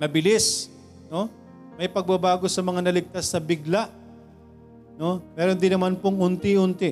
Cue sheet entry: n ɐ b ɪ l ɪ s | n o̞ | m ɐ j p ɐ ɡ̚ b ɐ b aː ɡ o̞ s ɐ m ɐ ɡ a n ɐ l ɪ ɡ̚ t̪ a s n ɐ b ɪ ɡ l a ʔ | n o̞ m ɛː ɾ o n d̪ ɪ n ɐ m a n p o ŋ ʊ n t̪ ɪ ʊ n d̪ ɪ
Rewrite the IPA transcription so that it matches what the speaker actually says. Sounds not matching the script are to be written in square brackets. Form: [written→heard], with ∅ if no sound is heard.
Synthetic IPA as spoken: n ɐ b ɪ l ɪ s | n o̞ | m ɐ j p ɐ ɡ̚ b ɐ b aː ɡ o̞ s ɐ m ɐ [ɡ→ŋ] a n ɐ l ɪ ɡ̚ t̪ a s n ɐ b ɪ ɡ l a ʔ | n o̞ m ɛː ɾ o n d̪ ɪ n ɐ m a n p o ŋ ʊ n t̪ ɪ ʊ n [d̪→t̪] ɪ